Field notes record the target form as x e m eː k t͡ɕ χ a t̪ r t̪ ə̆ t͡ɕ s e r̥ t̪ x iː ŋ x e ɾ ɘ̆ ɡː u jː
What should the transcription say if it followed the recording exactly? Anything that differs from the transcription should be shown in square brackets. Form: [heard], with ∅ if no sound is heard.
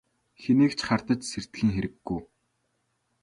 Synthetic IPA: x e [n] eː k t͡ɕ χ a [∅] r t̪ ə̆ t͡ɕ s e r̥ t̪ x iː ŋ x e ɾ ɘ̆ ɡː u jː